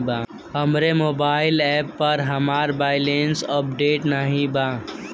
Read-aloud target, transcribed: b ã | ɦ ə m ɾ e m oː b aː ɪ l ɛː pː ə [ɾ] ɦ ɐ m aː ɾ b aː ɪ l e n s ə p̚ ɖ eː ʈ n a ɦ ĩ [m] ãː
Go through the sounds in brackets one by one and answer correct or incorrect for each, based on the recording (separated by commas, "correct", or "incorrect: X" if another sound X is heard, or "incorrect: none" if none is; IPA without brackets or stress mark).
correct, incorrect: b